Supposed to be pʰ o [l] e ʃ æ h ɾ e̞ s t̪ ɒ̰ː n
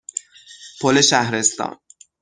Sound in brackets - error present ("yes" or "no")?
no